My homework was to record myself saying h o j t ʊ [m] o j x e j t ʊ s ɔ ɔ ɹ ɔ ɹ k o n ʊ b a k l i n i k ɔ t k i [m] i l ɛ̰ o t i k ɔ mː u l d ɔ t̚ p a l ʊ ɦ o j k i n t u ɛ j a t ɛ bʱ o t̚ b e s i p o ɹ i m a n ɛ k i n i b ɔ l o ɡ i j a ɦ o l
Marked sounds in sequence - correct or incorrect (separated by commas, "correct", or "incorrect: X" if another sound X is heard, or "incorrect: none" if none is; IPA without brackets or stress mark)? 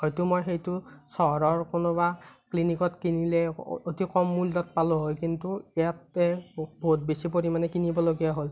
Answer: correct, incorrect: n